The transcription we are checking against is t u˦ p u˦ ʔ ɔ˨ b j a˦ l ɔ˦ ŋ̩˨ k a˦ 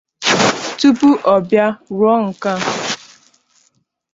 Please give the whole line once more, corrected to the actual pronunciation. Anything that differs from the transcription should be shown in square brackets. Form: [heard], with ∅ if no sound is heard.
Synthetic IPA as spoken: t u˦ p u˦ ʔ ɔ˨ b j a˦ [ɾ] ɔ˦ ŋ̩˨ k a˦